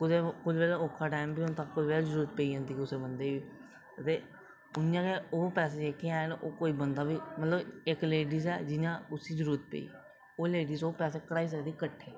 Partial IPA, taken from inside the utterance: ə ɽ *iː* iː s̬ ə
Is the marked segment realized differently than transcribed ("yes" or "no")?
yes